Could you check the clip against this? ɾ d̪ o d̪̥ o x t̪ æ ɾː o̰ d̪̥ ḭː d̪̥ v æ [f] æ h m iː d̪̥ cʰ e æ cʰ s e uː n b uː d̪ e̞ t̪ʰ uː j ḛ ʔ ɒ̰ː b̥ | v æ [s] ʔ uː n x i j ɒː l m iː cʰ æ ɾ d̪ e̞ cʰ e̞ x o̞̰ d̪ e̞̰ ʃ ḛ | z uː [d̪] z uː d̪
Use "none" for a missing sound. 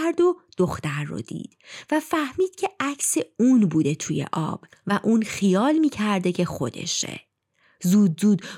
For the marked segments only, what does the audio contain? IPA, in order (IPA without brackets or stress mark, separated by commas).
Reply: f, none, d̪